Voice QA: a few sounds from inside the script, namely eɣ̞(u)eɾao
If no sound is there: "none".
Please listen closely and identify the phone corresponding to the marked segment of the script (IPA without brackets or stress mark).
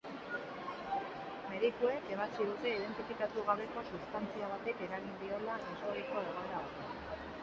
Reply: o